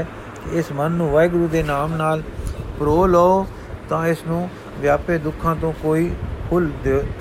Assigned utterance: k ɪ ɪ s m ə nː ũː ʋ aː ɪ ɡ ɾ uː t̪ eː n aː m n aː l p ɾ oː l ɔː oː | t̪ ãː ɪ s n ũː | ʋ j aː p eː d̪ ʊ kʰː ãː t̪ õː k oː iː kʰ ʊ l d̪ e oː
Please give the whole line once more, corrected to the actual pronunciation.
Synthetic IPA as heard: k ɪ ɪ s m ə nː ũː ʋ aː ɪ ɡ ɾ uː d̪ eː n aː m n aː l p ɾ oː l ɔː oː | t̪ ãː ɪ s n ũː | ʋ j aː p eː d̪ ʊ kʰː ãː t̪ õː k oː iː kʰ ʊ l d̪ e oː